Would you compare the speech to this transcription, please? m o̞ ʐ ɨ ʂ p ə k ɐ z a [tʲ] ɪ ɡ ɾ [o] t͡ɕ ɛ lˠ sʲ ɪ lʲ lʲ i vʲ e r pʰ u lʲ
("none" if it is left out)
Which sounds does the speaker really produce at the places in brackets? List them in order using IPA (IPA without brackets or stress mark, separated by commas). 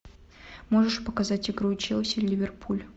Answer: tʲ, u